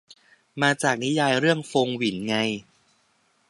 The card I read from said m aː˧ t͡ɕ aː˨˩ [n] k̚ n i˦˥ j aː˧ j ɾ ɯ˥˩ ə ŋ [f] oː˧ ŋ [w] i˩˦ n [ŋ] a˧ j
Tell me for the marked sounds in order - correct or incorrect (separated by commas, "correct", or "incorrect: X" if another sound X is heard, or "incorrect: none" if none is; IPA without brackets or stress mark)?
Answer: incorrect: none, correct, correct, correct